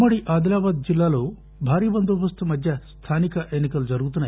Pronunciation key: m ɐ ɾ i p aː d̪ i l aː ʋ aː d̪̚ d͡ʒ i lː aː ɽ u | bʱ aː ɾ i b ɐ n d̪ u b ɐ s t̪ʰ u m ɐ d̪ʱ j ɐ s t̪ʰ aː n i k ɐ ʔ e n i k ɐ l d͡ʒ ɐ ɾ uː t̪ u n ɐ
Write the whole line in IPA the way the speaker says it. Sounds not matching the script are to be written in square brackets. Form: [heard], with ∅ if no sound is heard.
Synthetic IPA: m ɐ [ɽ] i [ʔ] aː d̪ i l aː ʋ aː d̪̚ d͡ʒ i lː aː [l] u | bʱ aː ɾ i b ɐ n d̪ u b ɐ s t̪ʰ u m ɐ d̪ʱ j ɐ s t̪ʰ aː n i k ɐ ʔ e n i k ɐ l d͡ʒ ɐ ɾ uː t̪ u n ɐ